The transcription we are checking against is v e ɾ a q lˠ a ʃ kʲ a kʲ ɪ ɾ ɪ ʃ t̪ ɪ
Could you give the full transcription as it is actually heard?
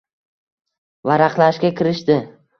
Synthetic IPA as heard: v a ɾ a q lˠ a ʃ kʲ a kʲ ɪ ɾ ɪ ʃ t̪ ɪ